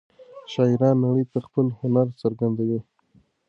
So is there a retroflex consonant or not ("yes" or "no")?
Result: yes